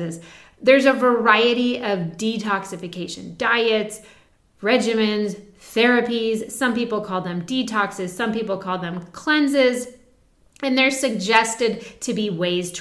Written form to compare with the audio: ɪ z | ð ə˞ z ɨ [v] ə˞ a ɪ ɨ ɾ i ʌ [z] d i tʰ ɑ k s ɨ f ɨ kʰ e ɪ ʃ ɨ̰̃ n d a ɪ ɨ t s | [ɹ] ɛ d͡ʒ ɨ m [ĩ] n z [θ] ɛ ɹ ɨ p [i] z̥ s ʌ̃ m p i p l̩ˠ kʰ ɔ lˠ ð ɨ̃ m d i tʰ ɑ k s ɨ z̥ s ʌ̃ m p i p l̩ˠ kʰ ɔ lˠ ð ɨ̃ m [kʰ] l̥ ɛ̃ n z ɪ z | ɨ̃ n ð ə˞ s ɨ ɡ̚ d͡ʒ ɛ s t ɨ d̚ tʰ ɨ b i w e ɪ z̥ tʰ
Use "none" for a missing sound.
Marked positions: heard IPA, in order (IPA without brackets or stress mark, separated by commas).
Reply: v, v, ɹ, ɨ̃, θ, i, kʰ